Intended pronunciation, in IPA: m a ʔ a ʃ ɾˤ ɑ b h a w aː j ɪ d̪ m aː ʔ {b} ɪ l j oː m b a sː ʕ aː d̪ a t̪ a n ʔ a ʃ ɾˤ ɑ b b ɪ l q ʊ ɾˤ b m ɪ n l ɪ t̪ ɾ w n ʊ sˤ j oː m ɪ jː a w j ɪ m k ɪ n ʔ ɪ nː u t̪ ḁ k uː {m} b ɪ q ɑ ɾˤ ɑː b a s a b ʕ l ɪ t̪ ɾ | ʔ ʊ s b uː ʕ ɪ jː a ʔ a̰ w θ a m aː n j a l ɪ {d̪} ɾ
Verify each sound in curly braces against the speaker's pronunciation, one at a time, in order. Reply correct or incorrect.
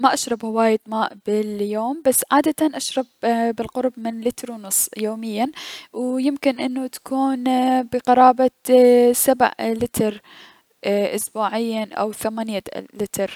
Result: correct, incorrect: n, incorrect: t̪

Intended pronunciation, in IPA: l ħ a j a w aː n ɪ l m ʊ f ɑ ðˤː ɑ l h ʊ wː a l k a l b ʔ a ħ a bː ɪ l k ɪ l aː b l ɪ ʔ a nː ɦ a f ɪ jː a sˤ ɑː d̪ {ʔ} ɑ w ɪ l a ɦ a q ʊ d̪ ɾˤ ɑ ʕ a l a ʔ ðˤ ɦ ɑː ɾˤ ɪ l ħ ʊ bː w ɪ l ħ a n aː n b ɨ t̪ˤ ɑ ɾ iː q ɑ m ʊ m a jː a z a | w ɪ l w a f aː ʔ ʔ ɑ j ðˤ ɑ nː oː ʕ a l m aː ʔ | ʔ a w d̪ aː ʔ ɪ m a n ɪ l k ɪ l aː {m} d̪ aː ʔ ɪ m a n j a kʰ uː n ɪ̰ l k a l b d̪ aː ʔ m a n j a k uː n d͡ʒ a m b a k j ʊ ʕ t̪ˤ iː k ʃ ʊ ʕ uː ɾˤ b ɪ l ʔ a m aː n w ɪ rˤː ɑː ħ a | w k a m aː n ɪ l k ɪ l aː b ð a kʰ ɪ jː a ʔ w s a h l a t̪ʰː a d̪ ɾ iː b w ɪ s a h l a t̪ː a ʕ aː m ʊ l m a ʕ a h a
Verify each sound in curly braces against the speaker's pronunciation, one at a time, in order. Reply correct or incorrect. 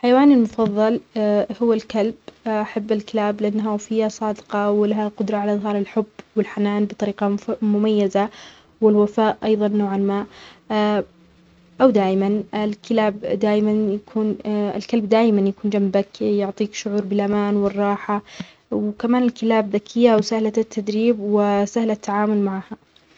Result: incorrect: q, incorrect: b

